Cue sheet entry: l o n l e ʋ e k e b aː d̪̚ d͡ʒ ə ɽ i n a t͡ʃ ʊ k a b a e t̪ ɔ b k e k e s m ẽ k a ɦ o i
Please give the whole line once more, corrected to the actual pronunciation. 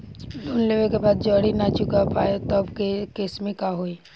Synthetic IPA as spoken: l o n l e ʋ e k e b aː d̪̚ d͡ʒ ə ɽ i n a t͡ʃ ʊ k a p a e t̪ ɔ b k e k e s m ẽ k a ɦ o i